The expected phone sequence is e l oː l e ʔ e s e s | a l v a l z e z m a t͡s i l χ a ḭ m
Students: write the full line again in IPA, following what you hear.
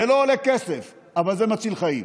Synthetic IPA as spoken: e l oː l e k e s e f | a v a l z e m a t͡s i l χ a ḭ m